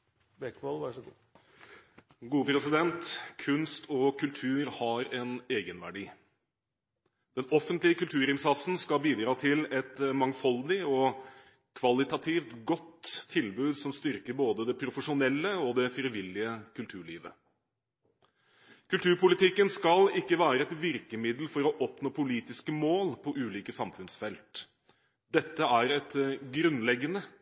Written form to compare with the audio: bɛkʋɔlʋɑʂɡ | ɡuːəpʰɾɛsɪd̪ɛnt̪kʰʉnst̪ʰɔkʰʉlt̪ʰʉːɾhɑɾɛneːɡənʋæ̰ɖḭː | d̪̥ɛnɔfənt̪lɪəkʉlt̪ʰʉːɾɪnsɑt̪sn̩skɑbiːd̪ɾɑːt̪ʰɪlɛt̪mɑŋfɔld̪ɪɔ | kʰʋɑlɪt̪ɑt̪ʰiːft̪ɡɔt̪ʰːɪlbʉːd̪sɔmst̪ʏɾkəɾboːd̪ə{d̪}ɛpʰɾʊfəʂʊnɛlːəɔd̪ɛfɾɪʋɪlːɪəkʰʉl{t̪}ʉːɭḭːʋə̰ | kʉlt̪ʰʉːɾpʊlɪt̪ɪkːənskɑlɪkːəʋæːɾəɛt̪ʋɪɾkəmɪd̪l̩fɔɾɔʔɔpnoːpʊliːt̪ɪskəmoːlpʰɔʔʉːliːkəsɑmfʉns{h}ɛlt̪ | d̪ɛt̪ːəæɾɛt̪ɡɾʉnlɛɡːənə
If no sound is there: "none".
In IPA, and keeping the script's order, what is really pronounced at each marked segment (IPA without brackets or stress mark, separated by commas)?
d̪, t̪ʰ, f